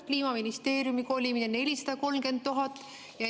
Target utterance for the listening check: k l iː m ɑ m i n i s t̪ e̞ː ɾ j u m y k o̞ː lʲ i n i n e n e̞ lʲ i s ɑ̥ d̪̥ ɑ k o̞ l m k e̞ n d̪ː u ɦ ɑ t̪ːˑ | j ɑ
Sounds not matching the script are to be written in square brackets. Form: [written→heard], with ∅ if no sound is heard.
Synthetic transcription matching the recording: k l iː m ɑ m i n i s t̪ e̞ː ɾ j u m [y→i] k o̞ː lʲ i [n→m] i n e n e̞ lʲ i s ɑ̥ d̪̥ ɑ k o̞ l m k e̞ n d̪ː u ɦ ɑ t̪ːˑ | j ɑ

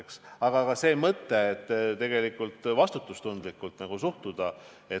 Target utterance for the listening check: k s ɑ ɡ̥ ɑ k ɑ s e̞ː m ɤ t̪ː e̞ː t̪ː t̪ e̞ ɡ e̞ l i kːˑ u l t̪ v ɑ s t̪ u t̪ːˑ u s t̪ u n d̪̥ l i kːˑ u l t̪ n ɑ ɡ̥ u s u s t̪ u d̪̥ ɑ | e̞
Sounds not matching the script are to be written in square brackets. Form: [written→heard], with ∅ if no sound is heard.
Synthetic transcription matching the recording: k s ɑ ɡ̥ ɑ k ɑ s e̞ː m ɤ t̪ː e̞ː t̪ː t̪ e̞ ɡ e̞ l i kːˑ u l t̪ v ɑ s t̪ u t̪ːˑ u s t̪ u n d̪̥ l i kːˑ u l t̪ n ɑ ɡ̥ u s u [s→h] t̪ u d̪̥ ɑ | e̞

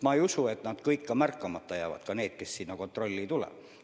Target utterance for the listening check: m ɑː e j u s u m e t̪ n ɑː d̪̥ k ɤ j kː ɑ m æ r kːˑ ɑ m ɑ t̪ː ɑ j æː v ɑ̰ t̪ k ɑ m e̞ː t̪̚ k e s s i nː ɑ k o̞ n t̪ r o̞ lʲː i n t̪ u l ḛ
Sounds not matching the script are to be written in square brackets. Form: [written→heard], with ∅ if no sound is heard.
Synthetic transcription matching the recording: m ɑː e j u s u [m→∅] e t̪ n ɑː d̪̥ k ɤ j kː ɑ m æ r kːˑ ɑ m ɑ t̪ː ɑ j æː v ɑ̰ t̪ k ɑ [m→n] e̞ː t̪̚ k e s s i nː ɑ k o̞ n t̪ r o̞ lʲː i [n→∅] t̪ u l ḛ

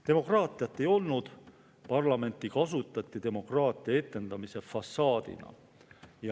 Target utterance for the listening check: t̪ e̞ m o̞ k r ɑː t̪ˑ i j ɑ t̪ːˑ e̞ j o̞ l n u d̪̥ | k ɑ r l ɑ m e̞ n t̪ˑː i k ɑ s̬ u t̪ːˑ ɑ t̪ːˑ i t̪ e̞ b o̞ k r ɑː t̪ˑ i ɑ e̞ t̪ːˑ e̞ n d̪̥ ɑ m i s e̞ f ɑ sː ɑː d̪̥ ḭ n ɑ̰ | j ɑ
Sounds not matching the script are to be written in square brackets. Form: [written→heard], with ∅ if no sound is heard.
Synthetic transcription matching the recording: t̪ e̞ m o̞ k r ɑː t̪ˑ i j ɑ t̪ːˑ e̞ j o̞ l n u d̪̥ | [k→p] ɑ r l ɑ m e̞ n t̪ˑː i k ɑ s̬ u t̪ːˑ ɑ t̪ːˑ i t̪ e̞ [b→m] o̞ k r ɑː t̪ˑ i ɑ e̞ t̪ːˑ e̞ n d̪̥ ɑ m i s e̞ f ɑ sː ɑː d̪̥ ḭ n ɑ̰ | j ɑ

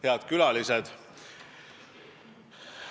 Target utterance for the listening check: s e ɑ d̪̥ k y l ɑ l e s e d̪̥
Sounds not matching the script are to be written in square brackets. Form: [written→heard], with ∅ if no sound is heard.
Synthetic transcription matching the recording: [s→h] e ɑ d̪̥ k y l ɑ l [e→i] s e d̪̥

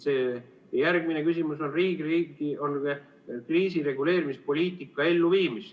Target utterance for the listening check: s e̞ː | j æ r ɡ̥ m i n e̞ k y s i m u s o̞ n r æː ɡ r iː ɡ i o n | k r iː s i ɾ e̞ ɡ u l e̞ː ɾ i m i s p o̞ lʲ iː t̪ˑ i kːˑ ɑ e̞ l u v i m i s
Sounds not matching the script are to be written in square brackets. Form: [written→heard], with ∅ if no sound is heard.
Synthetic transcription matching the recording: s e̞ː | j æ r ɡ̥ m i n e̞ k y s i m u s o̞ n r [æː→iː] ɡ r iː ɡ i o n | k r iː s i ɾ e̞ ɡ u l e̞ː ɾ i m i s p o̞ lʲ iː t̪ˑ i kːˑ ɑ e̞ [l→lː] u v [i→iː] m i s

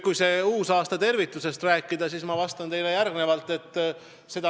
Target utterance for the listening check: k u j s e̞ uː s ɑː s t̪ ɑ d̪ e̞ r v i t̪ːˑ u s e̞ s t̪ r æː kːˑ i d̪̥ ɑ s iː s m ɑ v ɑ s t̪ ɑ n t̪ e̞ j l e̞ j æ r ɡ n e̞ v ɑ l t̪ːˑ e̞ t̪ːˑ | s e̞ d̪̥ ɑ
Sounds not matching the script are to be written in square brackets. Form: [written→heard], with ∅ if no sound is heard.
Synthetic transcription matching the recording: k u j s e̞ uː s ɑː s t̪ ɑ [d̪→t̪] e̞ r v i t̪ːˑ u s e̞ s t̪ r æː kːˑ i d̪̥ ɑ s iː s m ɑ v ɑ s t̪ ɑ n t̪ e̞ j l e̞ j æ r ɡ n e̞ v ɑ l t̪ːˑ e̞ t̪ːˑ | s e̞ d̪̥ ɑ

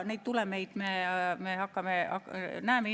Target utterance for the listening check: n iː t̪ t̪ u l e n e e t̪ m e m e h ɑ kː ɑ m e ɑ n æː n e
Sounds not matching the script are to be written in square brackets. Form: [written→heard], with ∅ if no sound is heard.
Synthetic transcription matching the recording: n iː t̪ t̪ u l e [n→m] e [e→i] t̪ m e m e h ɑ kː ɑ m e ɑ n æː [n→m] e

